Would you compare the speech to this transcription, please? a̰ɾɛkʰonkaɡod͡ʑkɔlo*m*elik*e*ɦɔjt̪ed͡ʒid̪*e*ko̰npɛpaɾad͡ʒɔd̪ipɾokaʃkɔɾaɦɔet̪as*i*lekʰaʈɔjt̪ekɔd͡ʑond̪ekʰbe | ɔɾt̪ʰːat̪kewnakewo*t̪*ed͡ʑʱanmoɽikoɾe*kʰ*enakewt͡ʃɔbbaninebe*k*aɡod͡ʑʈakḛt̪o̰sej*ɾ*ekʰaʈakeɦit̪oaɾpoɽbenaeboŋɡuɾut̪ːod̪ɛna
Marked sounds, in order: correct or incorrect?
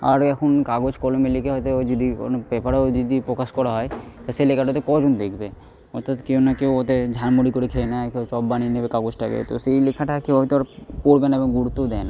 correct, correct, incorrect: i, incorrect: e, correct, correct, correct, incorrect: l

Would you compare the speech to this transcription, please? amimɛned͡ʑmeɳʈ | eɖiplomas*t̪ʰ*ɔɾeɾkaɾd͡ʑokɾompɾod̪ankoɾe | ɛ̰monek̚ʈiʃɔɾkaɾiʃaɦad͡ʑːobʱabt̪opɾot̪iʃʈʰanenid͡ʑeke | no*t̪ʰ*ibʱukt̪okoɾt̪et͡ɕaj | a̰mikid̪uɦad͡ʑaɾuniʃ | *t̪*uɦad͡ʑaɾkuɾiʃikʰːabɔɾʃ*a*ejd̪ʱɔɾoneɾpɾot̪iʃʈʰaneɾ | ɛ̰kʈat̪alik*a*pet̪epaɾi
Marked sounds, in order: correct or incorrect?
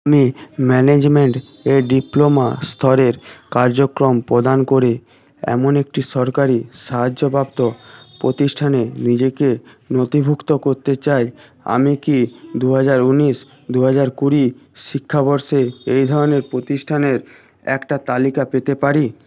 correct, incorrect: t̪, incorrect: d̪, incorrect: e, correct

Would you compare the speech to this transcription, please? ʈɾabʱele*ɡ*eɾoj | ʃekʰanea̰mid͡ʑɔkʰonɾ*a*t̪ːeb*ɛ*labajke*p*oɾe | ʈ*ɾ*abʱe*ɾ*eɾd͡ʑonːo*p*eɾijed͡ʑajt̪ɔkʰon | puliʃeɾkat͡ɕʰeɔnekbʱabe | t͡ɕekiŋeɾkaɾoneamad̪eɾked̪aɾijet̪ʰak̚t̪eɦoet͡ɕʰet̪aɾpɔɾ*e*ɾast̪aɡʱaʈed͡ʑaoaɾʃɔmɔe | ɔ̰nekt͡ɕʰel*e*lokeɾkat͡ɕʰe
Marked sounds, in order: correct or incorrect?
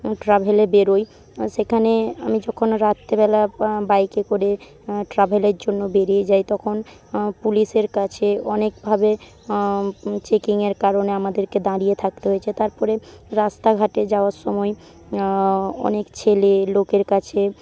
incorrect: b, correct, correct, incorrect: k, correct, incorrect: l, incorrect: b, correct, correct

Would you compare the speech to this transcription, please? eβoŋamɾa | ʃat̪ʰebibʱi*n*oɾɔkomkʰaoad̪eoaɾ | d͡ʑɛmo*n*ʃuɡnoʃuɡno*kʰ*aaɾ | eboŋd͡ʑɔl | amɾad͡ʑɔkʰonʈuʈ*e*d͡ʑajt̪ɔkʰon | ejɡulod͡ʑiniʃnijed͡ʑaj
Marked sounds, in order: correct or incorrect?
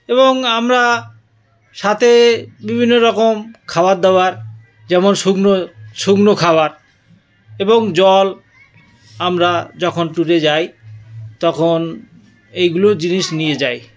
incorrect: nː, correct, correct, correct

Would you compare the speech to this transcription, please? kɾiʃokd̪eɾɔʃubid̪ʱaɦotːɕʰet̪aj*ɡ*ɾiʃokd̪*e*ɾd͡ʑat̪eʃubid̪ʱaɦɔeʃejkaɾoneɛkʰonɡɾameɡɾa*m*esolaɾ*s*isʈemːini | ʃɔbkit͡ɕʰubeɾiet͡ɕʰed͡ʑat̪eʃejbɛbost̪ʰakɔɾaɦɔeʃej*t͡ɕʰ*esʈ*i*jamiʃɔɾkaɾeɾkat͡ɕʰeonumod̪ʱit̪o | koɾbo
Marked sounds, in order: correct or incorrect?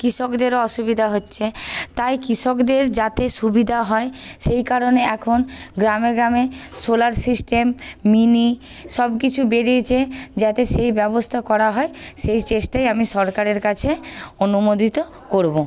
incorrect: k, correct, correct, correct, incorrect: t͡ɕ, incorrect: a

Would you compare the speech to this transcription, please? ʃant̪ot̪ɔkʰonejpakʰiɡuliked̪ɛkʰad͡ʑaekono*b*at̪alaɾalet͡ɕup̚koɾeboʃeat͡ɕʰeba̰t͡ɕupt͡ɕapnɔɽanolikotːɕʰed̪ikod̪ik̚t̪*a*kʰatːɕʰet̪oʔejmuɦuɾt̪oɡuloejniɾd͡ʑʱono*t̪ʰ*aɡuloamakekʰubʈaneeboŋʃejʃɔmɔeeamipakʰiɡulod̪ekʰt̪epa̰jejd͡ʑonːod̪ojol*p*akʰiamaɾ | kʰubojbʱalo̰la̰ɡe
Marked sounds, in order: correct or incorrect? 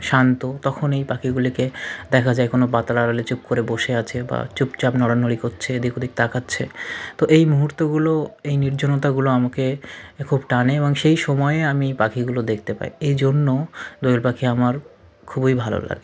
correct, correct, incorrect: t̪, correct

